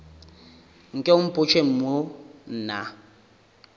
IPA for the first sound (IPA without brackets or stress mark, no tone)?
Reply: ŋ̩